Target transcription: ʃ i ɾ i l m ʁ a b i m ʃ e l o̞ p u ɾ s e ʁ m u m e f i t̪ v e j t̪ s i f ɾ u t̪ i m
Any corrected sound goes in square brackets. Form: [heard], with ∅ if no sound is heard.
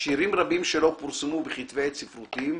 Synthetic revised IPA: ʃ i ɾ i [∅] m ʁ a b i m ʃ e l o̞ p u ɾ s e [∅] m u [b] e [χ] i t̪ v e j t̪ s i f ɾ u t̪ i m